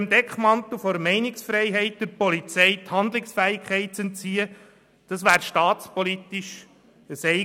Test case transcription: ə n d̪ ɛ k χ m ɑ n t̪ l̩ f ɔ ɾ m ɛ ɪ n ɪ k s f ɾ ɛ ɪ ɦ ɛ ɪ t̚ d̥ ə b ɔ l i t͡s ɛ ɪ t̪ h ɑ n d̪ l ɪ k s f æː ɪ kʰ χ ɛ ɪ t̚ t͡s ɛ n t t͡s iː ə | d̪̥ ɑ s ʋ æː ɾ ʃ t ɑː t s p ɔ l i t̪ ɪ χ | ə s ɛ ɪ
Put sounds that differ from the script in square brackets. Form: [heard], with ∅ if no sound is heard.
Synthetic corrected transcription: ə [m] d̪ ɛ k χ m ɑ n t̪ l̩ f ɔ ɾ m ɛ ɪ n ɪ k s f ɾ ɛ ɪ ɦ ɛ ɪ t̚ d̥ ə [p] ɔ l i t͡s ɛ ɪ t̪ h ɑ n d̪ l ɪ k s f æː ɪ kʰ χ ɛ ɪ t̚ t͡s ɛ n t t͡s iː ə | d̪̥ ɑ s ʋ æː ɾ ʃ t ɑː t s p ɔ l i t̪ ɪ [ʃ] | ə s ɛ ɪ

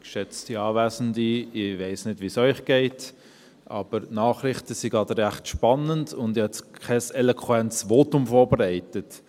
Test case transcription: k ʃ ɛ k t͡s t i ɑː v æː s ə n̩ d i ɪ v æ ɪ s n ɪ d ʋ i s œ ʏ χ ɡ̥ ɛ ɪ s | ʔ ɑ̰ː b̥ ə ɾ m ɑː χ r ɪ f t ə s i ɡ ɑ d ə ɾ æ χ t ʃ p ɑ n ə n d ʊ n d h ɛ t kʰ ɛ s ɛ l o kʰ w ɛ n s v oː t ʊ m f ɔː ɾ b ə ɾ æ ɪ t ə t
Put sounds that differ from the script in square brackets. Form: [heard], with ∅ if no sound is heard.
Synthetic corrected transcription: k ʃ ɛ [∅] t͡s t i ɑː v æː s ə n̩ d i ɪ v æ ɪ s n ɪ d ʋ i s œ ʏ χ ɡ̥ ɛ ɪ [t] | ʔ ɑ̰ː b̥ ə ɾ [n] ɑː χ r ɪ [χ] t ə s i ɡ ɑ d ə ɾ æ χ t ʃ p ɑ n ə n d ʊ n d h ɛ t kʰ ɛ s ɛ l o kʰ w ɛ n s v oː t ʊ m f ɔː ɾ b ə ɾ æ ɪ t ə t

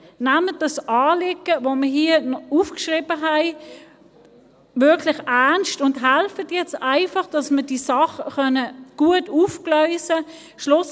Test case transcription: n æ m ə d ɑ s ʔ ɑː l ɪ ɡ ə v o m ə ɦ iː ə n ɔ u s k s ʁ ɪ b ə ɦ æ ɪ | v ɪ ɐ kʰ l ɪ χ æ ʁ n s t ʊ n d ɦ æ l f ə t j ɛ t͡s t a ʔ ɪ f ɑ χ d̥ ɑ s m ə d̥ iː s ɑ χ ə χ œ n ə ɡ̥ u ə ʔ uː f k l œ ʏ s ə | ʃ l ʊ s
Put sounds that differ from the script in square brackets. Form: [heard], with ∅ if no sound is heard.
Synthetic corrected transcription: n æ m ə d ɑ s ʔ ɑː l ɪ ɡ ə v o m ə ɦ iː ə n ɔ u [f] k [ʃ] ʁ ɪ b ə ɦ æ ɪ | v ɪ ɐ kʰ l ɪ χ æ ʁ n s t ʊ n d ɦ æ l f ə t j ɛ t͡s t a [∅] ɪ f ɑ χ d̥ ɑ s m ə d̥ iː s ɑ χ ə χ œ n ə ɡ̥ u ə [t] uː f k l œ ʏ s ə | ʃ l ʊ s

